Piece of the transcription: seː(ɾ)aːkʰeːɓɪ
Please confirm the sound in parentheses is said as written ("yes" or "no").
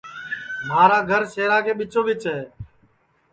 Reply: yes